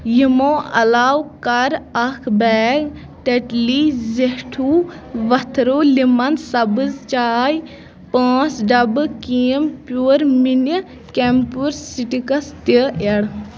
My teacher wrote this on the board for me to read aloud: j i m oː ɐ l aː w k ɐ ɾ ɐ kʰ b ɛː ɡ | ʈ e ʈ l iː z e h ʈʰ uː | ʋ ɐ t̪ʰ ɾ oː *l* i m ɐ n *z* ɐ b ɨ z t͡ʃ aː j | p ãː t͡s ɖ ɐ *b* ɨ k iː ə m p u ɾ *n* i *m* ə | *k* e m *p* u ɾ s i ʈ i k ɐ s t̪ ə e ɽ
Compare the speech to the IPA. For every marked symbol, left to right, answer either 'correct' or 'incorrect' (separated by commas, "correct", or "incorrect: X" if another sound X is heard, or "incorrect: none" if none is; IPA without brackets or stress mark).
correct, incorrect: s, correct, incorrect: m, incorrect: n, correct, correct